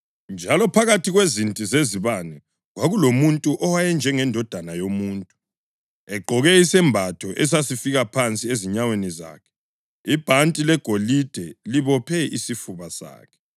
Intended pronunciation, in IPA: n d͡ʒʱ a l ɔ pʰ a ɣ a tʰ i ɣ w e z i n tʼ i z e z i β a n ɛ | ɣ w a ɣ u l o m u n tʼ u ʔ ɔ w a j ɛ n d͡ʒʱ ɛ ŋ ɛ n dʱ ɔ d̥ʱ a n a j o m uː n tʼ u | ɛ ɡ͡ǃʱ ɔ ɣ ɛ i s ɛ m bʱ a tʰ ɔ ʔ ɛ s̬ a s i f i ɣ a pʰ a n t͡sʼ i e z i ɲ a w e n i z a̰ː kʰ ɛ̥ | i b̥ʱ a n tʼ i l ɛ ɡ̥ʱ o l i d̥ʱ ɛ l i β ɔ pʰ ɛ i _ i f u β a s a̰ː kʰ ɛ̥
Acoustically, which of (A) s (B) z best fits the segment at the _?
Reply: A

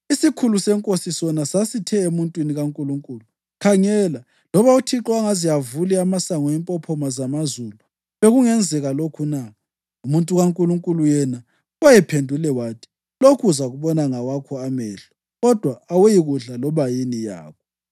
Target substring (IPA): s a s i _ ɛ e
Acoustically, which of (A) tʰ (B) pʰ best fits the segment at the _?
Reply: A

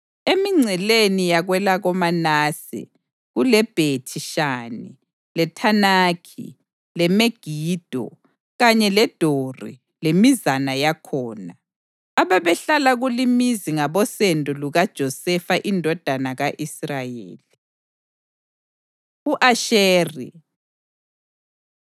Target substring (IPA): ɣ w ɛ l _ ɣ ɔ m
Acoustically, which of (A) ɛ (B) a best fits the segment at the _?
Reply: B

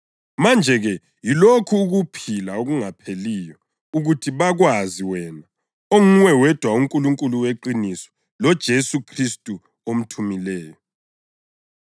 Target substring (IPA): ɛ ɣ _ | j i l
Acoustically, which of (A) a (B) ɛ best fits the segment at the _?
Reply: B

